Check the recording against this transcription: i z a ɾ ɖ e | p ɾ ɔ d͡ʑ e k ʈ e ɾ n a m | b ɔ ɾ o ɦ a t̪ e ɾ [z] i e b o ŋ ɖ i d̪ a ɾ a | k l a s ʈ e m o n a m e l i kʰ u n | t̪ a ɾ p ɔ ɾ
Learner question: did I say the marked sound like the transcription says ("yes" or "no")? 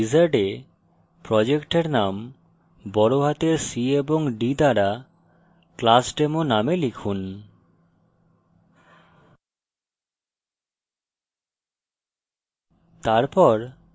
no